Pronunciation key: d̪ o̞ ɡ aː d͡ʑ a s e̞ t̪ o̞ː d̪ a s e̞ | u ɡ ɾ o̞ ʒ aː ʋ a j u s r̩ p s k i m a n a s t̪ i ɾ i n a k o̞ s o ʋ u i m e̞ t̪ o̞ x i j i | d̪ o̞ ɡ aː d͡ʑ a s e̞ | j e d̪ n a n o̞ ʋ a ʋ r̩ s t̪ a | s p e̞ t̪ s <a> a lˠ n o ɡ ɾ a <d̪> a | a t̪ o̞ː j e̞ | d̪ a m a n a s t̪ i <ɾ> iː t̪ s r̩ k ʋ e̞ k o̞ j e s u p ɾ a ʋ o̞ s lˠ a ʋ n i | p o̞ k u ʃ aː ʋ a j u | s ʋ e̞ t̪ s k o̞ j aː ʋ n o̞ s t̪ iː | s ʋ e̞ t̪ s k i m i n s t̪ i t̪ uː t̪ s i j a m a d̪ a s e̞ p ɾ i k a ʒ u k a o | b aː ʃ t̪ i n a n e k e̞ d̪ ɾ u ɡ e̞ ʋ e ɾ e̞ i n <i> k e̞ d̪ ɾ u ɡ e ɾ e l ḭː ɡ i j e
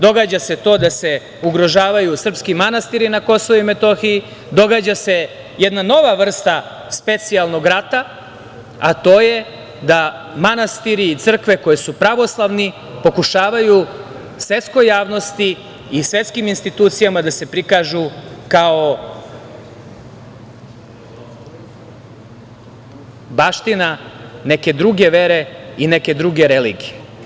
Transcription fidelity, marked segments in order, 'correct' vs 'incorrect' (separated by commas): incorrect, incorrect, correct, incorrect